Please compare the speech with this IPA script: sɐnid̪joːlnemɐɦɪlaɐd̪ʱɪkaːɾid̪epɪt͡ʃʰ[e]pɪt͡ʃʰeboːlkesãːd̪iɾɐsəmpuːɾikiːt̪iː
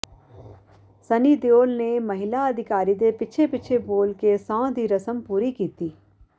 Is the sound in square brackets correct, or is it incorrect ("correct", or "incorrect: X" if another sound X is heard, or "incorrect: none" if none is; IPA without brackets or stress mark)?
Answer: correct